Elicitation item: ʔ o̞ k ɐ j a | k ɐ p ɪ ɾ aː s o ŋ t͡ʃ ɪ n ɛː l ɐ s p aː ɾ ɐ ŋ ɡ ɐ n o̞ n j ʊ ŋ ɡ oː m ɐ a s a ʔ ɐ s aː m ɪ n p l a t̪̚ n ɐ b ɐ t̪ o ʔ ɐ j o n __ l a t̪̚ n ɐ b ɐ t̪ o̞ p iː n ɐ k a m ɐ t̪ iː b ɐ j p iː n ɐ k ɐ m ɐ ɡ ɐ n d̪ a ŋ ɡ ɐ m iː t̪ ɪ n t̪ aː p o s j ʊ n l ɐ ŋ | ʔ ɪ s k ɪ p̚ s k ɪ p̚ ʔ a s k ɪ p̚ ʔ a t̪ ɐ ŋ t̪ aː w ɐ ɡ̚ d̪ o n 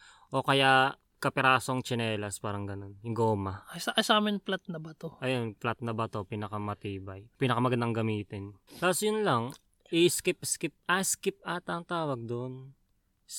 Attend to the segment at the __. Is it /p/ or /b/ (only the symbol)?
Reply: p